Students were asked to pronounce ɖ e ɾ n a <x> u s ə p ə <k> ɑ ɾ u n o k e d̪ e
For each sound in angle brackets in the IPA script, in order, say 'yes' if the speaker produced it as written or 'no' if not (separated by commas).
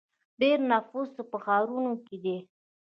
no, no